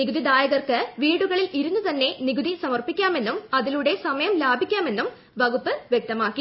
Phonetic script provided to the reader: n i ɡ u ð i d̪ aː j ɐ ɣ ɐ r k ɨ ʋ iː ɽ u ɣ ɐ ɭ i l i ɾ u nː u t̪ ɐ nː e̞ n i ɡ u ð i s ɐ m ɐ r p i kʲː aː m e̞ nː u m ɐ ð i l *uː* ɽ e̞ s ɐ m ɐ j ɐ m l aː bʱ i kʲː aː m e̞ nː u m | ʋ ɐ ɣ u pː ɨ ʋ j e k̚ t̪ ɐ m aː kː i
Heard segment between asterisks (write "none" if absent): u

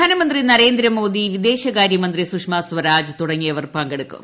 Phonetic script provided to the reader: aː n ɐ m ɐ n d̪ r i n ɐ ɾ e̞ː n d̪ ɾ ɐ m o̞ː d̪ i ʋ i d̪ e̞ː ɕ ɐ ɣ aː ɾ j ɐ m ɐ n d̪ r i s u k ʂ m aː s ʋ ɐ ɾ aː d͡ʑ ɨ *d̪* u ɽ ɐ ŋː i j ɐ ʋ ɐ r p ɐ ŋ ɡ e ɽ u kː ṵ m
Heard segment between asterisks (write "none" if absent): t̪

